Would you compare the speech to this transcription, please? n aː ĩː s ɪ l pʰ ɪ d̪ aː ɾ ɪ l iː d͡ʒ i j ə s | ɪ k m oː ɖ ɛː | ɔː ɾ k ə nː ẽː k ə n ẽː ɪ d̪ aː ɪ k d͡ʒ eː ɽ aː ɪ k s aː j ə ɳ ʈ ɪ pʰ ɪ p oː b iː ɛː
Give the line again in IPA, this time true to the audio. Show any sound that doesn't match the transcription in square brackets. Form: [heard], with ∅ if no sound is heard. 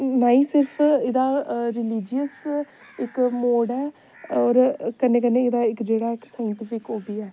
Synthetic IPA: n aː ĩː s ɪ [ɾ] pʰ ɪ d̪ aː ɾ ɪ l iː d͡ʒ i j ə s | ɪ k m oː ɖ ɛː | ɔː ɾ k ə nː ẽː k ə n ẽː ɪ d̪ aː ɪ k d͡ʒ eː ɽ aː ɪ k s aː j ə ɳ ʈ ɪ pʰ ɪ [k] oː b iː ɛː